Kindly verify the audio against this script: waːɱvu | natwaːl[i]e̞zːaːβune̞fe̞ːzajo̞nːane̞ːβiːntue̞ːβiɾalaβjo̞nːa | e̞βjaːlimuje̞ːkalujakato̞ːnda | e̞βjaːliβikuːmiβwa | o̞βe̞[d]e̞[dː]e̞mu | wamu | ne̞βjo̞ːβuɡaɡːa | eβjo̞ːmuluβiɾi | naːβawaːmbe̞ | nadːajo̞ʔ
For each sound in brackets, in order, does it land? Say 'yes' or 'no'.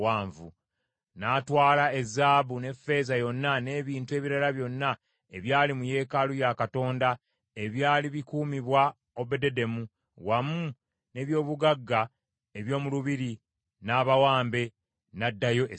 no, yes, no

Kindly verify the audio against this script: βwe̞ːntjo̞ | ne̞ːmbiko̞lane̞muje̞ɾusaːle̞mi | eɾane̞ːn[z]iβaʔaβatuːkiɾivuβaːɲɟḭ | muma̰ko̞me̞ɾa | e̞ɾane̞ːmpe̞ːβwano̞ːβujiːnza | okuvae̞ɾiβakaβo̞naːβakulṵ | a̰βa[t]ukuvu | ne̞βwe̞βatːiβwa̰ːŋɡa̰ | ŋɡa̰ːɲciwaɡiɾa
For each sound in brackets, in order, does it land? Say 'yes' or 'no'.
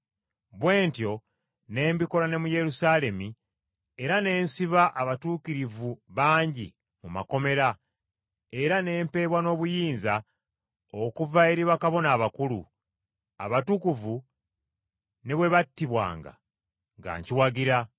no, yes

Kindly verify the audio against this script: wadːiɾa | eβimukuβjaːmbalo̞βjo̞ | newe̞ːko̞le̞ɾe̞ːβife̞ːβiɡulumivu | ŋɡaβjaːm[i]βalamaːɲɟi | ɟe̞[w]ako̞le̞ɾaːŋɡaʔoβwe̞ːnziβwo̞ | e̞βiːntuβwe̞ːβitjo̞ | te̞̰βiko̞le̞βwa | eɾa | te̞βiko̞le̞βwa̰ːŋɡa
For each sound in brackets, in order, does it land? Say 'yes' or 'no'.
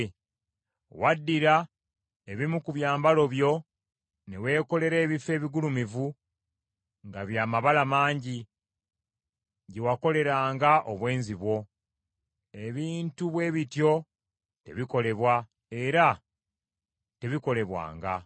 no, yes

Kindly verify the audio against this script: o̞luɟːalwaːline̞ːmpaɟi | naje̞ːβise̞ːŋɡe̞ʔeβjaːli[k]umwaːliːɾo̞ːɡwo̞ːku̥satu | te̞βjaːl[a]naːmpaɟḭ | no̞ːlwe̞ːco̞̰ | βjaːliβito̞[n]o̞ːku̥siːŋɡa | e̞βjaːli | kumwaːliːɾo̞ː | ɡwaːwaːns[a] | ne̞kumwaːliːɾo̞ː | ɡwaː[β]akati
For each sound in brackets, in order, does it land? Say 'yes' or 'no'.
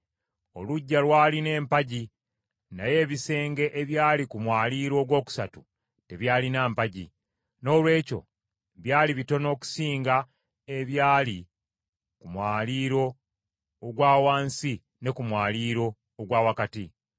yes, no, yes, no, no

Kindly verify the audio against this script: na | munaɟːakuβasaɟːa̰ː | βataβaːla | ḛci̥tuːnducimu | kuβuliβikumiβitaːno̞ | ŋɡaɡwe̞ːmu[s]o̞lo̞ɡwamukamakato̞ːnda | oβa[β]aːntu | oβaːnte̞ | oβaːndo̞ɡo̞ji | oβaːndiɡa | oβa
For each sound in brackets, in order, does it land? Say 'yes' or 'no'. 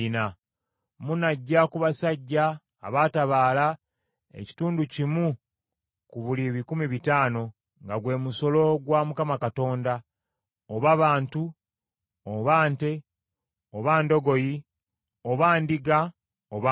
yes, yes

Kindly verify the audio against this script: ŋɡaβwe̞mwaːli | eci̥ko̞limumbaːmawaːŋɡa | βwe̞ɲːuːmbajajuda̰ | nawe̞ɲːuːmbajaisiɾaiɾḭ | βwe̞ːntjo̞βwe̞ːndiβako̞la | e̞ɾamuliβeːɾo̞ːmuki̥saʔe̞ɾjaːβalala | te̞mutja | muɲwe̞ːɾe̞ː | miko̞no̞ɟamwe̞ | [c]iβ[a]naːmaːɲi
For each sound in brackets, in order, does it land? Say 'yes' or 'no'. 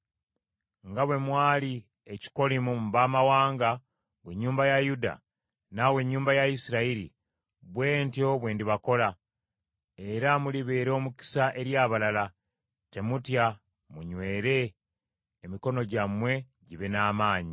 no, no

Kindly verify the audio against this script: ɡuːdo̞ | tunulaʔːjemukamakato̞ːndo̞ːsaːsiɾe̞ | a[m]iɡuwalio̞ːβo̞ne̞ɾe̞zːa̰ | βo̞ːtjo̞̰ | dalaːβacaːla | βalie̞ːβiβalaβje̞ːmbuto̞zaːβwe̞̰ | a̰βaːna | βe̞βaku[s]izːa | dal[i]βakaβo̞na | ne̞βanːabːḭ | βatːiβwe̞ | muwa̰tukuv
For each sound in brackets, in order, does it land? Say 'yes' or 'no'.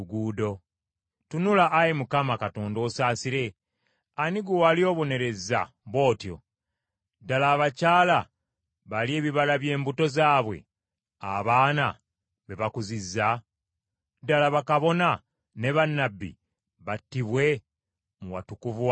no, no, no

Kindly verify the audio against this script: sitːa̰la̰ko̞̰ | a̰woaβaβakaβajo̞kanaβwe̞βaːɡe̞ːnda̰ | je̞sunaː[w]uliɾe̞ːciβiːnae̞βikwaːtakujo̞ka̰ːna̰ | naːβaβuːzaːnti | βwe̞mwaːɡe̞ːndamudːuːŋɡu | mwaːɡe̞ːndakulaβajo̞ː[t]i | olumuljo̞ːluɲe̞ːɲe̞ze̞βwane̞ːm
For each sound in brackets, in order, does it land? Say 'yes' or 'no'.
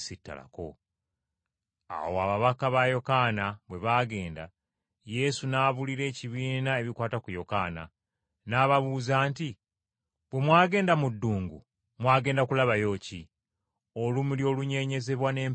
no, no

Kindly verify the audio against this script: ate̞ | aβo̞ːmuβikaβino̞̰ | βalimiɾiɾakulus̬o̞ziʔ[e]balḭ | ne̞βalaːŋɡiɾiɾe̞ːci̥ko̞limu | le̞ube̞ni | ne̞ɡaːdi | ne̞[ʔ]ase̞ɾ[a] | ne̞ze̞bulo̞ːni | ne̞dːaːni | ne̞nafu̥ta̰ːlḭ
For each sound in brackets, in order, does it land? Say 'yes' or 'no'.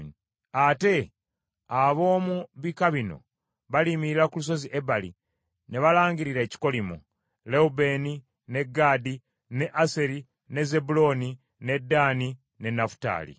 yes, yes, no

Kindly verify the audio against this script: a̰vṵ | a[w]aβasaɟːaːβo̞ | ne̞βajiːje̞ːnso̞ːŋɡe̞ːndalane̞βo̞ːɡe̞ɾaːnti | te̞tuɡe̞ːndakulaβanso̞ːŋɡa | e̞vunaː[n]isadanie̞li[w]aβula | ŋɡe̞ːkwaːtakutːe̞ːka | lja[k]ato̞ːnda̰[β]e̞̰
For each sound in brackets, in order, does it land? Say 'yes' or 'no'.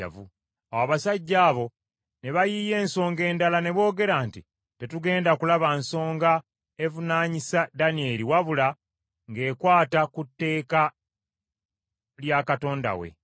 yes, no, yes, yes, no

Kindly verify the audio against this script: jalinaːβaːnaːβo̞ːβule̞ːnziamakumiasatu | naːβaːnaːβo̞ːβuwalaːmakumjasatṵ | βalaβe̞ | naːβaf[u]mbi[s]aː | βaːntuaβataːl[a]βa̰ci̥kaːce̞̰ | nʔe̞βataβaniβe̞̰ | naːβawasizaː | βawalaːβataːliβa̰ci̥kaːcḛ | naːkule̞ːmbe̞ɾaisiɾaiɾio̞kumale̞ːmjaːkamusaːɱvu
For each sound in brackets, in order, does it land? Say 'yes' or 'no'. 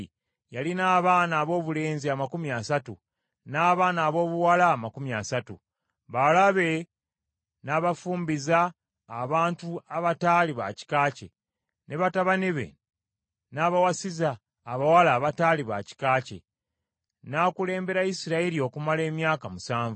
no, no, no

